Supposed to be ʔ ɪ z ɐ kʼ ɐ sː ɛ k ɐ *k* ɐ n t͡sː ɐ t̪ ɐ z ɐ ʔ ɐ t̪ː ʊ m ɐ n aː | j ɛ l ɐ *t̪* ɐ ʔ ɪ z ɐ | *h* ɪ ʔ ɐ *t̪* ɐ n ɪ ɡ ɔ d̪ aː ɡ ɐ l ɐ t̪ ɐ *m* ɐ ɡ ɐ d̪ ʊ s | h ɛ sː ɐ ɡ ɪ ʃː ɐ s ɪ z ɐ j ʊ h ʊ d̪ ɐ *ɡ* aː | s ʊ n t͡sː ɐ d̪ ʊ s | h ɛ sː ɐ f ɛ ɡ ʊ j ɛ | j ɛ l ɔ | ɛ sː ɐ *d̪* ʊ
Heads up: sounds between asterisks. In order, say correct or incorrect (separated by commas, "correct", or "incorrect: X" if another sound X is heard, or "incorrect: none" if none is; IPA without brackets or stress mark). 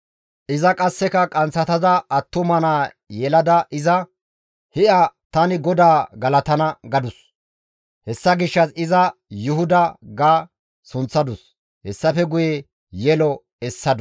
incorrect: kʼ, incorrect: d̪, correct, correct, incorrect: n, correct, correct